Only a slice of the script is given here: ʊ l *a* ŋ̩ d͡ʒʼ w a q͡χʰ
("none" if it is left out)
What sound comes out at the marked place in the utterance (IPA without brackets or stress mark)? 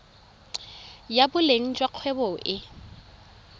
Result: e